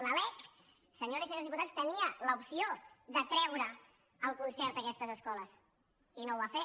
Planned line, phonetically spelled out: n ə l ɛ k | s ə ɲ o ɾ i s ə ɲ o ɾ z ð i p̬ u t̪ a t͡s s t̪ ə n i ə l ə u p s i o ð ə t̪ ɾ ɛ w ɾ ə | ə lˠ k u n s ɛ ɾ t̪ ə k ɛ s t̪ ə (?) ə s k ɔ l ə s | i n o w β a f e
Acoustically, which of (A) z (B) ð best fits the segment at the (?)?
A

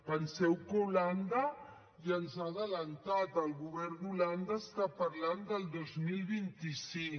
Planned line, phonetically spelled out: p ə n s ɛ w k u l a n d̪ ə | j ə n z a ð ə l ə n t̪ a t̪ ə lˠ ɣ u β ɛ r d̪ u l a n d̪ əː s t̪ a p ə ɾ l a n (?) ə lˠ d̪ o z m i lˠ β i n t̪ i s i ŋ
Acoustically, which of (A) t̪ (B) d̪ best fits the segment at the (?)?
B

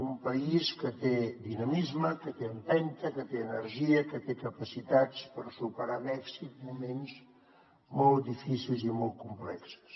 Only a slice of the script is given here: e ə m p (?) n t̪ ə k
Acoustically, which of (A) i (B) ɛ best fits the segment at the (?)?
B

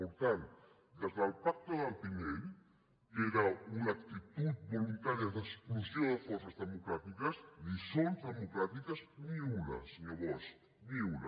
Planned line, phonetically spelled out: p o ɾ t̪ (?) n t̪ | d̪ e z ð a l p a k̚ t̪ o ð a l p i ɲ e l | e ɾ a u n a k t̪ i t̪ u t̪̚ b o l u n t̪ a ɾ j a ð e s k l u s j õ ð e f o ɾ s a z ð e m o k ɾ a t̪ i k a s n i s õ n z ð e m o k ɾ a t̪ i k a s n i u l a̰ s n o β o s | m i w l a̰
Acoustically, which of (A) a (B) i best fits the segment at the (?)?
A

